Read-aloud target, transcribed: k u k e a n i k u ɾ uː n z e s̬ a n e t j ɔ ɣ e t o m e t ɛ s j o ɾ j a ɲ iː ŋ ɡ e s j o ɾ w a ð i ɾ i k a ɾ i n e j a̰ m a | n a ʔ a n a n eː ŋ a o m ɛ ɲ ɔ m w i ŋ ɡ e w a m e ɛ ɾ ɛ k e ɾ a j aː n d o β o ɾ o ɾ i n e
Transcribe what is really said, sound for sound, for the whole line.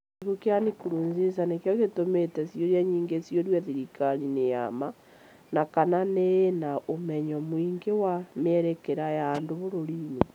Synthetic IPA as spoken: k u k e a n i k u ɾ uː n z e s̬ a n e k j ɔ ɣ e t o m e t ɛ s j o ɾ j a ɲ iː ŋ ɡ e s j o ɾ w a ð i ɾ i k a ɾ i n e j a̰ m a | n a k a n a n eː n a o m ɛ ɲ ɔ m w i ŋ ɡ e w a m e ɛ ɾ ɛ k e ɾ a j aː n d o β o ɾ o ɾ i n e